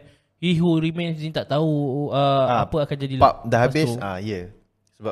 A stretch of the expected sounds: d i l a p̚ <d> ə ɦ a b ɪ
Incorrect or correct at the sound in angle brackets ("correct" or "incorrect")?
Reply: correct